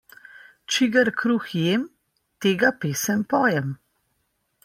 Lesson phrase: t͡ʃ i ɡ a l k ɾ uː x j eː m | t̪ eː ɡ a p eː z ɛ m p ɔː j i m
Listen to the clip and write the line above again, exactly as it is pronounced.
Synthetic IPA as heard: t͡ʃ i ɡ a ɾ k ɾ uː x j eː m | t̪ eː ɡ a p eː s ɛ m p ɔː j ɛ m